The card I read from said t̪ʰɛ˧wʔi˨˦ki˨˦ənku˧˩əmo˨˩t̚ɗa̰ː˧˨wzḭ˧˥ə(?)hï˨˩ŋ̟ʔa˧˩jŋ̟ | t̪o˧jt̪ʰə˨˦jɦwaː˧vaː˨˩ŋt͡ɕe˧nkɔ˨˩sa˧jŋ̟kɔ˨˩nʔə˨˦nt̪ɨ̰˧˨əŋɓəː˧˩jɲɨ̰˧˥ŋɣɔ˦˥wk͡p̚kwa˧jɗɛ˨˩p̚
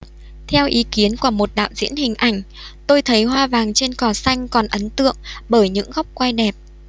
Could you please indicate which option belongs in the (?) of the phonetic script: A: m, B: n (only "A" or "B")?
B